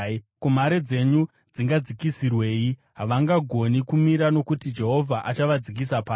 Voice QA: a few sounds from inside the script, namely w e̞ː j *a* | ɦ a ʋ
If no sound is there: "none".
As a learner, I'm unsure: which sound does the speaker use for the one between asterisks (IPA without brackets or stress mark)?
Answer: i